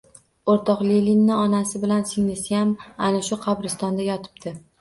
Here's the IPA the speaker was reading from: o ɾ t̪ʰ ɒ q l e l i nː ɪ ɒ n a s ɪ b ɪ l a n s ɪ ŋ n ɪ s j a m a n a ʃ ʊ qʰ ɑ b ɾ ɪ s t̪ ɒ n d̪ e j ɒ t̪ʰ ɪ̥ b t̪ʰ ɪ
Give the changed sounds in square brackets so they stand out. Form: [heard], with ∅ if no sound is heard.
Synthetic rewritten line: o ɾ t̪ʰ ɒ q l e l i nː ɪ ɒ n a s ɪ b ɪ l a n s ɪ ŋ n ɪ s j a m a n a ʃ ʊ qʰ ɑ b ɾ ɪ s t̪ ɒ n d̪ [a] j ɒ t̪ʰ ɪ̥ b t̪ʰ ɪ